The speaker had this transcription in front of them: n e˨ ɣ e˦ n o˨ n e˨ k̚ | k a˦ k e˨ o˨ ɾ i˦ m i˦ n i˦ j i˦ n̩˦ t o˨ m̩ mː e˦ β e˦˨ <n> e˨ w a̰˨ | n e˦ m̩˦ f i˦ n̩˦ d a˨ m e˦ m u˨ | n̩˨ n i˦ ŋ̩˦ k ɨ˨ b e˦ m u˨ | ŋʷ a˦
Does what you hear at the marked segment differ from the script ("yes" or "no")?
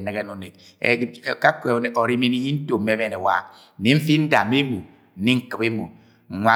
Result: no